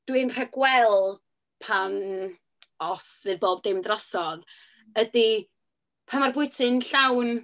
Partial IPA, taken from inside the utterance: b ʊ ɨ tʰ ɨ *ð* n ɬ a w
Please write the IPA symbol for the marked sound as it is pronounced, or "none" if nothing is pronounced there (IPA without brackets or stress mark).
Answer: none